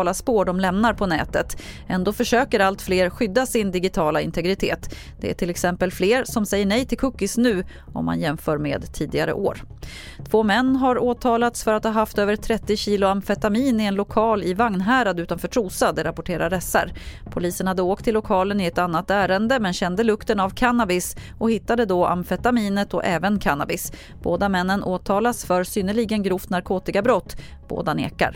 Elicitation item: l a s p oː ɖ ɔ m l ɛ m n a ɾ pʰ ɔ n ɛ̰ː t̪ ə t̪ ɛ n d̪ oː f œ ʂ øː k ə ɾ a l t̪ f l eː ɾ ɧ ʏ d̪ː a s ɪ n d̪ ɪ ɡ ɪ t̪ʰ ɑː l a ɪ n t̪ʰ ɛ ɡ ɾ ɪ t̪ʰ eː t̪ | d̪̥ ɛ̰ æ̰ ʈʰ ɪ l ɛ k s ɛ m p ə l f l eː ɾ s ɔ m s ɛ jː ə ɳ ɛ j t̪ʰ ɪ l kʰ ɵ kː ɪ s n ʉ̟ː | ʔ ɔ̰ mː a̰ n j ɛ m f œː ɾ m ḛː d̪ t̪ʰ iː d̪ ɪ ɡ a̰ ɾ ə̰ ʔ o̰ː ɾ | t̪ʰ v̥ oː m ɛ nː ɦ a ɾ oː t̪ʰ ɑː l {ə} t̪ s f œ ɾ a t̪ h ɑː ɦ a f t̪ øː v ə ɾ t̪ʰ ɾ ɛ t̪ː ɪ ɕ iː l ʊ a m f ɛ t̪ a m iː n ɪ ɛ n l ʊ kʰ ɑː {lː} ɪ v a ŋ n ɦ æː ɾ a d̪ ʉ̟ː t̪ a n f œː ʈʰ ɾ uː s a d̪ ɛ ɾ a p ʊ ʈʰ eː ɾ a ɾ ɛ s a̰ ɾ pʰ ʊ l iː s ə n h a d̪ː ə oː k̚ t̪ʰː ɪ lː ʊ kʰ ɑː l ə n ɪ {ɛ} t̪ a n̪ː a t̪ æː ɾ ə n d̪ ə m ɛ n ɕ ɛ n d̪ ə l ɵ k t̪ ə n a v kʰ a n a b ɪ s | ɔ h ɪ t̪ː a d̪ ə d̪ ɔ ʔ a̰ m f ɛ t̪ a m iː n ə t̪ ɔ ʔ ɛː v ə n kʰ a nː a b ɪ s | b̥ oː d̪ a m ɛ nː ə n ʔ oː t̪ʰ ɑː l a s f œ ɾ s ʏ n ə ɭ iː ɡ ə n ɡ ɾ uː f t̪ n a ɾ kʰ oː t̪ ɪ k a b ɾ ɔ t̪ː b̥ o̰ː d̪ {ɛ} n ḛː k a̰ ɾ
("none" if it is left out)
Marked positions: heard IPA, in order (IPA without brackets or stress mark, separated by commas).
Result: a, l, ɛ, a